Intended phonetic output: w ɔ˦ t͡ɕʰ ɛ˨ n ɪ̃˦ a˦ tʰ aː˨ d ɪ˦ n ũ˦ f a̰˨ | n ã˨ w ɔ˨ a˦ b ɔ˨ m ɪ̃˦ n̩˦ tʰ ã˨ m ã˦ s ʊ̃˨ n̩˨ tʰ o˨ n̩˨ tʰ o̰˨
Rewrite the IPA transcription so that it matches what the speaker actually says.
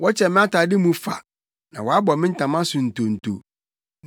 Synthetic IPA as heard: w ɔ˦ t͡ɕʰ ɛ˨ m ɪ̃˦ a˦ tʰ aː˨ d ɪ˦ m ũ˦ f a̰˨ | n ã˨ w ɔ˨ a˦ b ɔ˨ m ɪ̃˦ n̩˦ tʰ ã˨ m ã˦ s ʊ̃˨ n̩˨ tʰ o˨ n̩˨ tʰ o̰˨